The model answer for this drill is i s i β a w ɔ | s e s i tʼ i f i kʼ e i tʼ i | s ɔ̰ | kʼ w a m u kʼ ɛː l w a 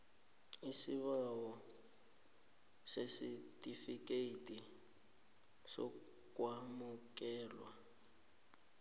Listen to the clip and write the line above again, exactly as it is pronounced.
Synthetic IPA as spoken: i s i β a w ɔ | s e s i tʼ i f i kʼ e i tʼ i | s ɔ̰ | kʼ w a m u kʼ ɛː l w a